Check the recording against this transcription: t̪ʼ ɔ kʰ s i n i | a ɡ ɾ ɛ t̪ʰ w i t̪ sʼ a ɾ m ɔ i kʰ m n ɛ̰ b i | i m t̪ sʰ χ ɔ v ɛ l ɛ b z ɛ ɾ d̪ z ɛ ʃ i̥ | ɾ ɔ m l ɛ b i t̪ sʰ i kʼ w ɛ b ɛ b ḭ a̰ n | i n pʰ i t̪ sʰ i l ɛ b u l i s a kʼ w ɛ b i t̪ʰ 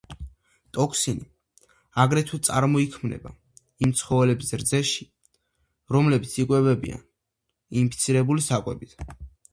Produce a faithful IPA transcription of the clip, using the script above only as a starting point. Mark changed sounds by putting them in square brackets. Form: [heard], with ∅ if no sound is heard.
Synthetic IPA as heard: t̪ʼ ɔ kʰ s i n i | a ɡ ɾ ɛ t̪ʰ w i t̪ sʼ a ɾ m ɔ i kʰ m n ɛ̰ b [a] | i m t̪ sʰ χ ɔ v ɛ l ɛ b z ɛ ɾ d̪ z ɛ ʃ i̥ | ɾ ɔ m l ɛ b i t̪ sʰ i kʼ w ɛ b ɛ b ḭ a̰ n | i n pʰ i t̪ sʰ i [ɾ] ɛ b u l i s a kʼ w ɛ b i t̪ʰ